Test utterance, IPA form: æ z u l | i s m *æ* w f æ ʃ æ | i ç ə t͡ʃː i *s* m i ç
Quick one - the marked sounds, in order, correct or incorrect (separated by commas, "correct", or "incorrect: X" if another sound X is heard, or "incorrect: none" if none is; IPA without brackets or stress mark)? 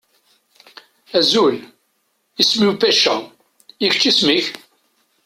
incorrect: i, correct